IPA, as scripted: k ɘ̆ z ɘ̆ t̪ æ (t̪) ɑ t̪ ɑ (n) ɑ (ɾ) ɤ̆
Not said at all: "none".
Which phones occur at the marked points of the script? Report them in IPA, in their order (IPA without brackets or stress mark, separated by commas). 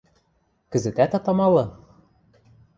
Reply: t̪, m, l